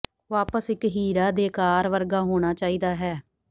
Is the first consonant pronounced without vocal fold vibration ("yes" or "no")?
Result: no